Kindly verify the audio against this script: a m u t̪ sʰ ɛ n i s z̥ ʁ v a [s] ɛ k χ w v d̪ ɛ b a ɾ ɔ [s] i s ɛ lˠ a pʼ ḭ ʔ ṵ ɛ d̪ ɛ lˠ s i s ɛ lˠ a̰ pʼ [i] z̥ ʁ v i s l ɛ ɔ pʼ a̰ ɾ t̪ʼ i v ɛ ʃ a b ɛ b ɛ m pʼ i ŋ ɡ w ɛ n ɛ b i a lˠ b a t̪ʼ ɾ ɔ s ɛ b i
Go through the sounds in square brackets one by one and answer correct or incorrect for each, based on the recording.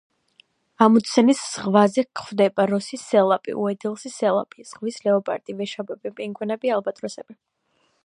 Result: incorrect: z, correct, correct

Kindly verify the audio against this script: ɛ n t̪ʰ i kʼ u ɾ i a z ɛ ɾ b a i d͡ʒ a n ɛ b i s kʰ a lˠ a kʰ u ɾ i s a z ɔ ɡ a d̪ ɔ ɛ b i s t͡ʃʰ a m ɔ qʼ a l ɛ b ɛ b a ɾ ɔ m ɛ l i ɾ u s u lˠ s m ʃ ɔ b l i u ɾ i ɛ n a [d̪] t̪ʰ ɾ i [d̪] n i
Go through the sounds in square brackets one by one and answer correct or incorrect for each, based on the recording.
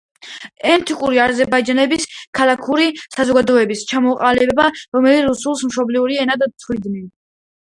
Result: correct, correct

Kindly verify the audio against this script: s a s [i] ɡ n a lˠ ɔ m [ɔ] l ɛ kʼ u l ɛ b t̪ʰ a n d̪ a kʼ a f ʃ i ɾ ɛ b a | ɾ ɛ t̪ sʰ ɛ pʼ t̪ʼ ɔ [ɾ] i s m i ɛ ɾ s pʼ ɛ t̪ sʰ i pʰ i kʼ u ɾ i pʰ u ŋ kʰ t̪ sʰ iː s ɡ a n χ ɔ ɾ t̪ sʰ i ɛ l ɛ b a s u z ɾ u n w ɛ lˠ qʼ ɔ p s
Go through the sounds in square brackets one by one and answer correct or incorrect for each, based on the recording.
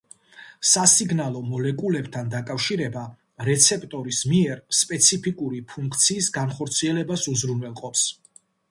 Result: correct, correct, correct

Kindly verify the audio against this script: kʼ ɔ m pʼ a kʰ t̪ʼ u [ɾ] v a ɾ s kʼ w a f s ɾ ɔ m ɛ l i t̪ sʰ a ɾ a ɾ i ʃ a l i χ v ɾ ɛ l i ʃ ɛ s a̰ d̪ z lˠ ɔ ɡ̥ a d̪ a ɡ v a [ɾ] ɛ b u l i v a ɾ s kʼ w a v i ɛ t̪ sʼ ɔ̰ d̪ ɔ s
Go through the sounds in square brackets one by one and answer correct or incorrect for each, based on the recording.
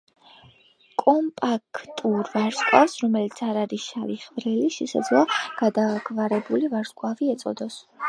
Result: correct, correct

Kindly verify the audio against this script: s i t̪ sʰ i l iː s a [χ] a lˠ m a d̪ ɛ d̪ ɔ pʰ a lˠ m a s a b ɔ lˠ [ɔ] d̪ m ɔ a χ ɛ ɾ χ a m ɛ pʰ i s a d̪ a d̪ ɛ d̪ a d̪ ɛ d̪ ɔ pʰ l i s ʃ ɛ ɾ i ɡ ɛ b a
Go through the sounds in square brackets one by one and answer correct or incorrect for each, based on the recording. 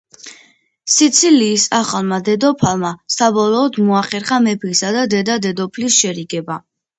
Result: correct, incorrect: ɔː

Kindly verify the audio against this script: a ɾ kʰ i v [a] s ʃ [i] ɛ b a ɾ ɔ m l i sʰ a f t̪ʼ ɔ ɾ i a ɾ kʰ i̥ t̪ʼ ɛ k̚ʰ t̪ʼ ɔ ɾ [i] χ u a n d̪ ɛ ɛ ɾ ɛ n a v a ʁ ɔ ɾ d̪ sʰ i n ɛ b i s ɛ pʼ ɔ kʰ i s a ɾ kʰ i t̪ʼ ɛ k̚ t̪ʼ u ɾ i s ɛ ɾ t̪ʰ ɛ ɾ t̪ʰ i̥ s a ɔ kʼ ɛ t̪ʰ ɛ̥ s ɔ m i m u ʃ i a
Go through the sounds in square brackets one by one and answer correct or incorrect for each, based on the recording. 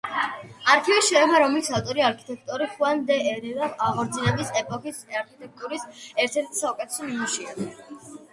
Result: incorrect: i, incorrect: ɛ, correct

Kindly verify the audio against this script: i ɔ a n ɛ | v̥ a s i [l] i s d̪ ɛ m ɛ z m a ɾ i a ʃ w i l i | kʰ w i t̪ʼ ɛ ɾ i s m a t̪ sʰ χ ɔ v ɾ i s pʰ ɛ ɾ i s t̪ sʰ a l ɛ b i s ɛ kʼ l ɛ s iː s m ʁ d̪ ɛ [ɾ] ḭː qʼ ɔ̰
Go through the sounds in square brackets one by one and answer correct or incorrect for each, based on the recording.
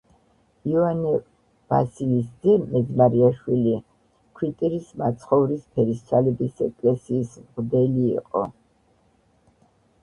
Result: correct, incorrect: l

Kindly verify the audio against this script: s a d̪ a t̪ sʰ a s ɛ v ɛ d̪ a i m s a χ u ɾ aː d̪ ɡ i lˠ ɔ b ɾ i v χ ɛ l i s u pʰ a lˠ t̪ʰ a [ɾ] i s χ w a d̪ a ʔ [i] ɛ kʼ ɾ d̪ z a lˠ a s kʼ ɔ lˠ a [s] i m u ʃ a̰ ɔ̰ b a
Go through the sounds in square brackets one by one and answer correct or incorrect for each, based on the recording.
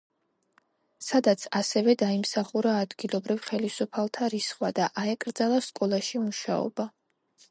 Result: correct, incorrect: a, incorrect: ʃ

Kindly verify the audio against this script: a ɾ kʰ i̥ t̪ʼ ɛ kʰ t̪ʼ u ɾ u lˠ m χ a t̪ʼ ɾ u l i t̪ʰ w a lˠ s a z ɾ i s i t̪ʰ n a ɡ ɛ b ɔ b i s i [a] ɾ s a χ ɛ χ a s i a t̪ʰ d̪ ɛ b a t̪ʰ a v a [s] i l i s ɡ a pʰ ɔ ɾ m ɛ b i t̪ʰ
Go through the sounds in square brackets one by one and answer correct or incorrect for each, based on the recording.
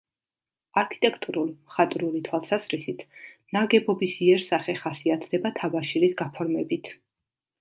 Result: incorrect: ɛ, incorrect: ʃ

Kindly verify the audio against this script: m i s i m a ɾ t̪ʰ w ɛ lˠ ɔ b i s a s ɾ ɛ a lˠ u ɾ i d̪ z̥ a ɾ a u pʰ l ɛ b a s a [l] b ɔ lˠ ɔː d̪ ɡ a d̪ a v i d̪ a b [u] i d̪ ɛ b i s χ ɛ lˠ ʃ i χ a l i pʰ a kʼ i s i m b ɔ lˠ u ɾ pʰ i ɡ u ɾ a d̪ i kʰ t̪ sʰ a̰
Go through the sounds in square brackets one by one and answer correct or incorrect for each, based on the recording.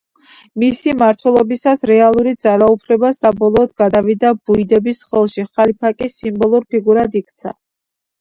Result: incorrect: none, correct

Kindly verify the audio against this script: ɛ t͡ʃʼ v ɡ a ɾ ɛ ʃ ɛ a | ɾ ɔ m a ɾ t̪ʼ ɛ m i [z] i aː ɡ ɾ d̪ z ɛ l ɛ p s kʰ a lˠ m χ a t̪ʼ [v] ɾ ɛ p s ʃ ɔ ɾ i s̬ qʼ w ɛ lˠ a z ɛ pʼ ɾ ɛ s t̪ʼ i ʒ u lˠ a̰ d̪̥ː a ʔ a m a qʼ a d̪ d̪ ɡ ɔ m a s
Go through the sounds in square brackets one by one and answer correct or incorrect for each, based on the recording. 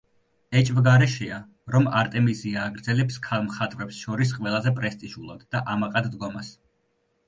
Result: correct, correct

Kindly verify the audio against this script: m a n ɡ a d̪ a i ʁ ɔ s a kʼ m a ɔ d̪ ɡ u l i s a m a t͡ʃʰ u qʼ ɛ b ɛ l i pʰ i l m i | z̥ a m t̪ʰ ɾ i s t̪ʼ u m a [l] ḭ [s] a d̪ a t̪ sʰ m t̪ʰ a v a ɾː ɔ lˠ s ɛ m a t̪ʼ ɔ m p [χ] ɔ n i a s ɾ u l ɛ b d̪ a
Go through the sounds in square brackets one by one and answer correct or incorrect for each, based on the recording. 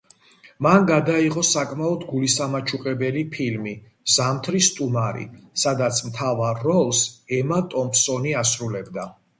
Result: incorrect: ɾ, correct, incorrect: s

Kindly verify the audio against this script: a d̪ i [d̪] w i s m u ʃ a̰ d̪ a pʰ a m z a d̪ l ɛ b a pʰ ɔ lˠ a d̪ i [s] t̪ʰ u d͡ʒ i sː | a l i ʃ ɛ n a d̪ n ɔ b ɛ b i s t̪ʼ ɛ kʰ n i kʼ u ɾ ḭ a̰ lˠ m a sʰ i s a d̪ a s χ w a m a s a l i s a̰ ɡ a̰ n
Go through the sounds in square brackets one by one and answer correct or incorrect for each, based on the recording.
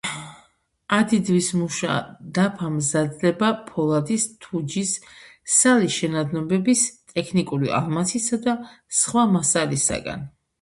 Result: correct, correct

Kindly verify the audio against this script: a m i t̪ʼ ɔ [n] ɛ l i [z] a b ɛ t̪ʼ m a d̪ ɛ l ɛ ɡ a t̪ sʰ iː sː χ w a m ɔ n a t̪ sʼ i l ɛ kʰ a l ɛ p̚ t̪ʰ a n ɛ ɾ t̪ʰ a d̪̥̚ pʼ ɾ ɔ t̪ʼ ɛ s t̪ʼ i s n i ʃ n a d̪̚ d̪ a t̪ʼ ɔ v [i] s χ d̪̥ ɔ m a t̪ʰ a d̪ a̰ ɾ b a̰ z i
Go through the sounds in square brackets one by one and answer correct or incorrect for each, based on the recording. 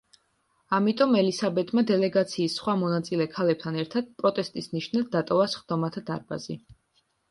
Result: incorrect: m, incorrect: s, incorrect: a

